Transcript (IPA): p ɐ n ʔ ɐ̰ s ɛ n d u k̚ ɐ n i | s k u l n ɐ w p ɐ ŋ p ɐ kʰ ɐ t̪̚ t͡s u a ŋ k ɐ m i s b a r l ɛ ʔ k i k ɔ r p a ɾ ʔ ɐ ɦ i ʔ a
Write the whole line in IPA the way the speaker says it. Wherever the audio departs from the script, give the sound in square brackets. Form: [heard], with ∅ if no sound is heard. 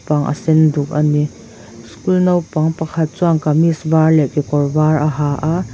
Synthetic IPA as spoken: p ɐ [ŋ] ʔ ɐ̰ s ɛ n d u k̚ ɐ n i | s k u l n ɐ w p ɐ ŋ p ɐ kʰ ɐ t̪̚ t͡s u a ŋ k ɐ m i s b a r l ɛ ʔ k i k ɔ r [b] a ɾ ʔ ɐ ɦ [a] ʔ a

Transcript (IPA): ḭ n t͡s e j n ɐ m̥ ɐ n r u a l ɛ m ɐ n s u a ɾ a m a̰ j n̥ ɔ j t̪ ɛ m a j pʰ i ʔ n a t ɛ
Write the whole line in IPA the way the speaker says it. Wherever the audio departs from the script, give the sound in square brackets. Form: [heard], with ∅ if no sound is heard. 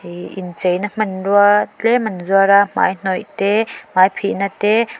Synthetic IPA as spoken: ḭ n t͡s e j n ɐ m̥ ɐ n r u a l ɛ m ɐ n [z] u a ɾ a m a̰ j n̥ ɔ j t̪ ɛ m a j pʰ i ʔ n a t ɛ

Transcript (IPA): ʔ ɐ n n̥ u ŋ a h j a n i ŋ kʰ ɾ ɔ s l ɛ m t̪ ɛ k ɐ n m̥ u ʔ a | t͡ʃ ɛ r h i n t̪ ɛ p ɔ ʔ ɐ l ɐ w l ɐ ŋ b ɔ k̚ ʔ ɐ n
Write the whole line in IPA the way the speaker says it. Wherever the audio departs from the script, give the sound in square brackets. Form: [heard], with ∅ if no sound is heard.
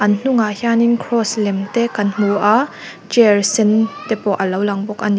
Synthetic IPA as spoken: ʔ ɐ n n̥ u ŋ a h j a n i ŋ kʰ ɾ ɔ s l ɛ m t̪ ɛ k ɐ n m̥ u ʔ a | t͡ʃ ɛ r [s] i n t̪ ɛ p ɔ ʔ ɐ l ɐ w l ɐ ŋ b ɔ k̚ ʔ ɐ n

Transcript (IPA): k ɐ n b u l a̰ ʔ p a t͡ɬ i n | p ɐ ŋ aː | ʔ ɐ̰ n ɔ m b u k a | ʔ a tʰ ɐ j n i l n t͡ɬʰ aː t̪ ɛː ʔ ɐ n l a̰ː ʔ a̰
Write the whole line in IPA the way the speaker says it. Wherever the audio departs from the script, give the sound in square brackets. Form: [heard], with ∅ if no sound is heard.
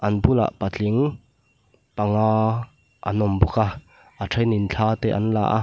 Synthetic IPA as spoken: [ʔ] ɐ n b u l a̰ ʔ p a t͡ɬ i [ŋ] | p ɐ ŋ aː | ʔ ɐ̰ n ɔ m b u k a | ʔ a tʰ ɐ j n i [∅] n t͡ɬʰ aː t̪ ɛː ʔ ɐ n l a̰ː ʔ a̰

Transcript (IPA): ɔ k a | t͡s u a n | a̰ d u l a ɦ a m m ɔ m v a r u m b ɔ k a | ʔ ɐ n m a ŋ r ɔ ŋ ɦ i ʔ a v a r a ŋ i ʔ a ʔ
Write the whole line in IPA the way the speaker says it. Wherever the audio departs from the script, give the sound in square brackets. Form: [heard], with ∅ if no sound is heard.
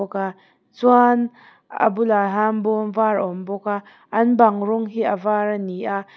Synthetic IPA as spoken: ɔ k a | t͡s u a n | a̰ [b] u l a ɦ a m [b] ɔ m v a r [ɔ] m b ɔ k a | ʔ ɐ n [b] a ŋ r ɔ ŋ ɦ i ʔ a v a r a [n] i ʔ a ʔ

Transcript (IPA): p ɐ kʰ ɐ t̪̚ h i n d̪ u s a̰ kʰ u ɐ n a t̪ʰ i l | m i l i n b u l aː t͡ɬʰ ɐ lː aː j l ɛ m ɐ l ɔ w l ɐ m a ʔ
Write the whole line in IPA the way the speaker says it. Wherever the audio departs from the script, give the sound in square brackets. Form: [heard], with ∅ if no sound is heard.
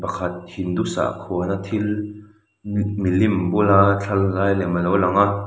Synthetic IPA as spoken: p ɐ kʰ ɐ t̪̚ h i n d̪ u s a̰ kʰ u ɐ n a t̪ʰ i l | m i l i [m] b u l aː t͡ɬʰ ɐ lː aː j l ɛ m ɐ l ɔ w l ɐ [ŋ] a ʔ

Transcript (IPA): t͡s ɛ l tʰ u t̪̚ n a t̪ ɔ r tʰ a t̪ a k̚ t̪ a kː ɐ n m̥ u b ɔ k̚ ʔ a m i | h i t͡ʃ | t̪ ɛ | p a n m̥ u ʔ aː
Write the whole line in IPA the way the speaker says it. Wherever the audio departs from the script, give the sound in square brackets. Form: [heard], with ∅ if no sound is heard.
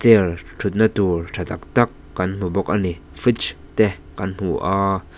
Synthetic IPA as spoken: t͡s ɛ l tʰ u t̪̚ n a t̪ [u] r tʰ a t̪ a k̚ t̪ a kː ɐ n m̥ u b ɔ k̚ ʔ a [n] i | [f] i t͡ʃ | t̪ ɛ | [k] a n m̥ u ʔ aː

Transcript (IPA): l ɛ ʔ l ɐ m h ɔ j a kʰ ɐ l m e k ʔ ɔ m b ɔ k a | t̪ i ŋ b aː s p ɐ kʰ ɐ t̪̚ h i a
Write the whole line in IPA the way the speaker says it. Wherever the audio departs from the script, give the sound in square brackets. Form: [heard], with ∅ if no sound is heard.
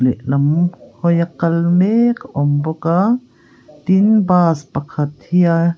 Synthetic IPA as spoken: l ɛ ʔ l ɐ m h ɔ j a [k] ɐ l m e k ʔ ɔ m b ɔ k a | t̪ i [n] b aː s p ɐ kʰ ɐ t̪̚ h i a

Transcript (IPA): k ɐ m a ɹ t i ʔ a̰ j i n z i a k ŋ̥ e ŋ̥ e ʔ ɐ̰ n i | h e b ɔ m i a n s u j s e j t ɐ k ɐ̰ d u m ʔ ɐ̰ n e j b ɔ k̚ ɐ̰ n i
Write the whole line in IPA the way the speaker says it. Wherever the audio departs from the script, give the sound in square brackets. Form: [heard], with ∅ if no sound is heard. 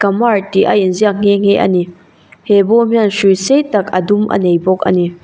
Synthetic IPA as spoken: k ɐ m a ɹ t i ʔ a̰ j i n z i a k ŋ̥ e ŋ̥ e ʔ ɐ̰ n i | h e b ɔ m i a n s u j s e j t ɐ k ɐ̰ d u m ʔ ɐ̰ n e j b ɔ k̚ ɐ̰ n i

